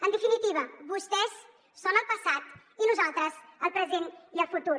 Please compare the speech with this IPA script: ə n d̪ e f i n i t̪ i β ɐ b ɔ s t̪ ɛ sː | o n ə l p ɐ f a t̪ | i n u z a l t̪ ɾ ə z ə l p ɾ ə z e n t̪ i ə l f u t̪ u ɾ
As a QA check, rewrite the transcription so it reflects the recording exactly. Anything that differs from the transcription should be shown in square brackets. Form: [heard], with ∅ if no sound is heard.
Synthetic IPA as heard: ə n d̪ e f i n i t̪ i β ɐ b [u] s t̪ ɛ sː | o n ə l p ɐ [s] a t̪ | i n u z a l t̪ ɾ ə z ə l p ɾ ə z e n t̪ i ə l f u t̪ u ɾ